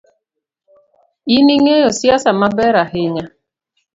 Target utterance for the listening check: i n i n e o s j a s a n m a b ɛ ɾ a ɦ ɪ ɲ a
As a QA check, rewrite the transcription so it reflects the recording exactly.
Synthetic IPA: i n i ŋ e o s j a s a m a b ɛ ɾ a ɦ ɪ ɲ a

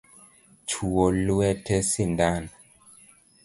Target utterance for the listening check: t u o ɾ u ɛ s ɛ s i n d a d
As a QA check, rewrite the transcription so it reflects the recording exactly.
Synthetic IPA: t͡ʃ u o l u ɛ t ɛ s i n d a n

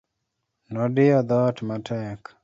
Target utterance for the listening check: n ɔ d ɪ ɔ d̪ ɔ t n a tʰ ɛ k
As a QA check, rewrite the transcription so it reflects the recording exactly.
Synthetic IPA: n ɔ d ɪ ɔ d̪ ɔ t m a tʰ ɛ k

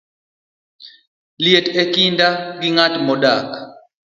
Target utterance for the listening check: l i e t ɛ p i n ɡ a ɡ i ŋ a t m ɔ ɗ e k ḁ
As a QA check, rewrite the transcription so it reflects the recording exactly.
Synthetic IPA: l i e t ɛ k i n d a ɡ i ŋ a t m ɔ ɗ a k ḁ

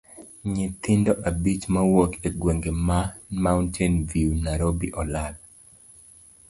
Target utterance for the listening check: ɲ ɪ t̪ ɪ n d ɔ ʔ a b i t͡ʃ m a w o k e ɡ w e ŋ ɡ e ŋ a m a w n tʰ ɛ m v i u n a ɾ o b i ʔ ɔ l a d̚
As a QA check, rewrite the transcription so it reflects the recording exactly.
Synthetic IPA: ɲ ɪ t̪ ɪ n d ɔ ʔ a b i t͡ʃ m a w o k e ɡ w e ŋ ɡ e m a m a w n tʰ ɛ n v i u n a ɾ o b i ʔ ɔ l a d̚

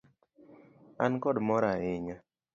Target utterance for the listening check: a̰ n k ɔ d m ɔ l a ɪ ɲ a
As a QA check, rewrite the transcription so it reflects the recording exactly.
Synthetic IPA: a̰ n k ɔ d m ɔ ɾ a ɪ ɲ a

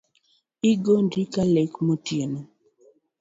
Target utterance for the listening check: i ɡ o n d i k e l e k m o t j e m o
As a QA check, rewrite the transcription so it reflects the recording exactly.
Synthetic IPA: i ɡ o n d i k a l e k m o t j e n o

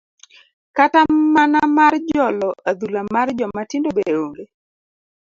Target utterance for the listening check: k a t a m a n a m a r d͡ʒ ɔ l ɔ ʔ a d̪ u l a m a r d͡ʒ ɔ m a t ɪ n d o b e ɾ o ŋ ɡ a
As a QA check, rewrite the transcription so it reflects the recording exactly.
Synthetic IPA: k a t a m a n a m a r d͡ʒ ɔ l ɔ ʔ a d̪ u l a m a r d͡ʒ ɔ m a t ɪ n d o b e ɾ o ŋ ɡ e

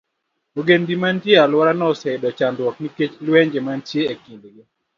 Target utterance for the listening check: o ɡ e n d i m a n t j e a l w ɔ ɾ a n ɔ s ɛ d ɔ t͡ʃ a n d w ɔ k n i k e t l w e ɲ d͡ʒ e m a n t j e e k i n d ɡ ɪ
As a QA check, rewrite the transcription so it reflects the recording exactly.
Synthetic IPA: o ɡ e n d i m a n t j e a l w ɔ ɾ a n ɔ s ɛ d ɔ t͡ʃ a n d w ɔ k n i k e t͡ʃ l w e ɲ d͡ʒ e m a n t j e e k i n d ɡ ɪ

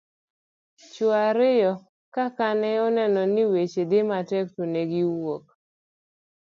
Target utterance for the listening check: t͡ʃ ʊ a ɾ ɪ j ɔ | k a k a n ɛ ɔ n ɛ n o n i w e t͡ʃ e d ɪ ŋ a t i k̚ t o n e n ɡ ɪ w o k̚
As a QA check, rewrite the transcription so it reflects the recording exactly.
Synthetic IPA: t͡ʃ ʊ a ɾ ɪ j ɔ | k a k a n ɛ ɔ n ɛ n ɔ n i w e t͡ʃ e d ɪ m a t ɛ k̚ t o n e ɡ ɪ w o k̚

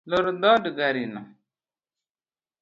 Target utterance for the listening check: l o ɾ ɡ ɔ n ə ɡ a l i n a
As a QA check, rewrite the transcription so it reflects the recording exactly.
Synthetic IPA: l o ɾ d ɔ d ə ɡ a ɾ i n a

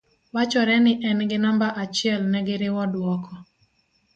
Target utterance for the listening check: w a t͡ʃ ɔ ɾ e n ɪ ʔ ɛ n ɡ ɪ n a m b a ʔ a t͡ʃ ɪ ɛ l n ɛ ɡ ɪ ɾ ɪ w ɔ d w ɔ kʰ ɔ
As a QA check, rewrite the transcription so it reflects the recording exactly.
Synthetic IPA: w a t͡ʃ ɔ ɾ ɛ n ɪ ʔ ɛ n ɡ ɪ n a m b a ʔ a t͡ʃ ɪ ɛ l n ɛ ɡ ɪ ɾ ɪ w ɔ d w ɔ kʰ ɔ

